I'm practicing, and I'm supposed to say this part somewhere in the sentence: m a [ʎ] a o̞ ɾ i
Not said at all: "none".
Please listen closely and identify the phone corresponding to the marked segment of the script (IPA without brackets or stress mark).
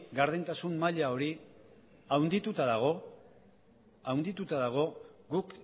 ʎ